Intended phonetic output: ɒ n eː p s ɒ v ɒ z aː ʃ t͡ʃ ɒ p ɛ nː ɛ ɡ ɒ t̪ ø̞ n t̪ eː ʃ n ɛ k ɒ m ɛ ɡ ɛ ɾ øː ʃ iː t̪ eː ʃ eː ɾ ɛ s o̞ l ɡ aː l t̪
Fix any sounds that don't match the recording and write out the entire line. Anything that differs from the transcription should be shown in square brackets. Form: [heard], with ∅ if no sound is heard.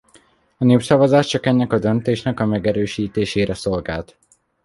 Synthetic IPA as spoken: ɒ n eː p s ɒ v ɒ z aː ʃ t͡ʃ ɒ [k] ɛ nː ɛ [k] ɒ [d̪] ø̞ n t̪ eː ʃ n ɛ k ɒ m ɛ ɡ ɛ ɾ øː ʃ iː t̪ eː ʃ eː ɾ ɛ s o̞ l ɡ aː l t̪